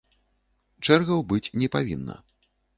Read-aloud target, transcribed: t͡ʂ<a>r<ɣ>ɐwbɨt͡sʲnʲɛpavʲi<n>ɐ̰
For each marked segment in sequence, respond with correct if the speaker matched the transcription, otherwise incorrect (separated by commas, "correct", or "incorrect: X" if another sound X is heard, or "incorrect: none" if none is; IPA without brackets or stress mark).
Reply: incorrect: ɛ, correct, incorrect: nː